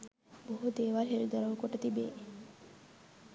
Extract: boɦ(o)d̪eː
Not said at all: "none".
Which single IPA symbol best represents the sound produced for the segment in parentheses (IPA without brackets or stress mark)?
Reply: u